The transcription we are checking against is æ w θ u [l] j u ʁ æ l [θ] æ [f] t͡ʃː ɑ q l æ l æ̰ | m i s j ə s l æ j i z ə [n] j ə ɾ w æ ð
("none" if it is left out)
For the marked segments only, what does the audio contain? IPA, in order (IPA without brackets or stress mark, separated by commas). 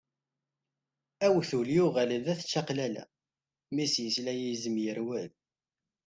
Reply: l, ð, θ, m